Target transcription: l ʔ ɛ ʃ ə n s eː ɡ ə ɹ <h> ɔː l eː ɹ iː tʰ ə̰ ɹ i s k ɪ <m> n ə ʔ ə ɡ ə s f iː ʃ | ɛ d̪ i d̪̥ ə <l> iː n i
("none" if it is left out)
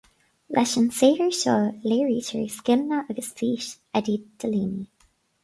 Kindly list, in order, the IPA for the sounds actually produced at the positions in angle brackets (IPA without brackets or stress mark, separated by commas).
ʃ, m, l